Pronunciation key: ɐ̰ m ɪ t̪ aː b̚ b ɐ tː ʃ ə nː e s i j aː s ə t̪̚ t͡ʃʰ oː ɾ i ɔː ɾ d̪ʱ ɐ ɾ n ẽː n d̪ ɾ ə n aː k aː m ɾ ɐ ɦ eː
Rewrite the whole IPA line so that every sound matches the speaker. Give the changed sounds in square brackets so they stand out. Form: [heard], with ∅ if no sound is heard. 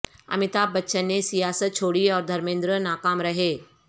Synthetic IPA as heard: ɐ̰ m ɪ t̪ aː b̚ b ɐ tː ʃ ə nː e s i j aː s ə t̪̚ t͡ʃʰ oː [ɽ] i ɔː ɾ d̪ʱ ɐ ɾ [m] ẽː n d̪ ɾ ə n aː k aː m ɾ ɐ ɦ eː